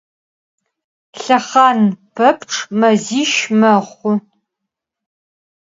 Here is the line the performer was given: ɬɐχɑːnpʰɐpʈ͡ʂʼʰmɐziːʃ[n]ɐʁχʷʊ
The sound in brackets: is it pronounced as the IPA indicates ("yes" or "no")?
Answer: no